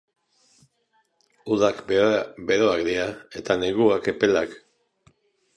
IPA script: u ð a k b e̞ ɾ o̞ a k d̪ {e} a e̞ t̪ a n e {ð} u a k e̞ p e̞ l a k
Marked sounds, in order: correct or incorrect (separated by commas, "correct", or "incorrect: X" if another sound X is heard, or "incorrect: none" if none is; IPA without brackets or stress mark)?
incorrect: i, incorrect: ɣ